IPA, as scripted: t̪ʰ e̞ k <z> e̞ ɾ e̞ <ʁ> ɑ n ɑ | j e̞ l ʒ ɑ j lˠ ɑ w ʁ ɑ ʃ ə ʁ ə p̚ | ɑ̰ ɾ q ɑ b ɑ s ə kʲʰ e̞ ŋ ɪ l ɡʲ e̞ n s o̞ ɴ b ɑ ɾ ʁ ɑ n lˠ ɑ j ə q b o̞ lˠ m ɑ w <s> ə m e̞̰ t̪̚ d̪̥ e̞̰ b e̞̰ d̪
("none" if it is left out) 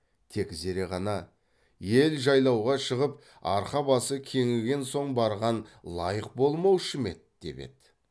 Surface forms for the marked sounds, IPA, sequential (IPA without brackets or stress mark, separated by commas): z, ʁ, ʃ